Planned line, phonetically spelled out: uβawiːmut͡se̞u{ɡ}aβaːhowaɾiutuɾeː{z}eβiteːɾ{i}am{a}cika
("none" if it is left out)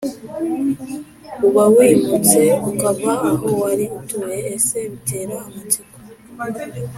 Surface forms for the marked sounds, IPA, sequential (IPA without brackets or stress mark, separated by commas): k, s, a, a